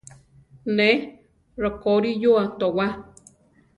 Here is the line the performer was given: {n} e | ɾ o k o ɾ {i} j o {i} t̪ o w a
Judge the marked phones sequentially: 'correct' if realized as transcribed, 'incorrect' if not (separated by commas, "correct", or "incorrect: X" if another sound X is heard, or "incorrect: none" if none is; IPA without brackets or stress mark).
correct, correct, incorrect: a